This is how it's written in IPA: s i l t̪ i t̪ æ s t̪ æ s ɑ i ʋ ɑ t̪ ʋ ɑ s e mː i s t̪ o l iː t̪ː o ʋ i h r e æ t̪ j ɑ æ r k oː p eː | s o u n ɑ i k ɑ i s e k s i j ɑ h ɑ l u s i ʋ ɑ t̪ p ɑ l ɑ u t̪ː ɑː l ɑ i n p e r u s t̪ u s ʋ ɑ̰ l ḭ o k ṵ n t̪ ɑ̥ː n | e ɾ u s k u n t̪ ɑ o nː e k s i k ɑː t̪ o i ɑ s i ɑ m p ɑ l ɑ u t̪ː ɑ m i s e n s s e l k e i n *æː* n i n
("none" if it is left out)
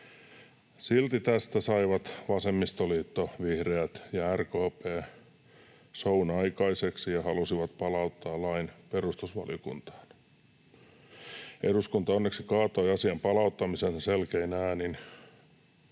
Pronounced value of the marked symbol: æː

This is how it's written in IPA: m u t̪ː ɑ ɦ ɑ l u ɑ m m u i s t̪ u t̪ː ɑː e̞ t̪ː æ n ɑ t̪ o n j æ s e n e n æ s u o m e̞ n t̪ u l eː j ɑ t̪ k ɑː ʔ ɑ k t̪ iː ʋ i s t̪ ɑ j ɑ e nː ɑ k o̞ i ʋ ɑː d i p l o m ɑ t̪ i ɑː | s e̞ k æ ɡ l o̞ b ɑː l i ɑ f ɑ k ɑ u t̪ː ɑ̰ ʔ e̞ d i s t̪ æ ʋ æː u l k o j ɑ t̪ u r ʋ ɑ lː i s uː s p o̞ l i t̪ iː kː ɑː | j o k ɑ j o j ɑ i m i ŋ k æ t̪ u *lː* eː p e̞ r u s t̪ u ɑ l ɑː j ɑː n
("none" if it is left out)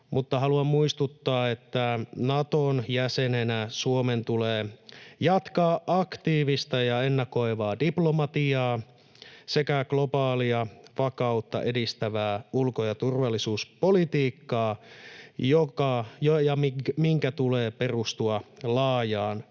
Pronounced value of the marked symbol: l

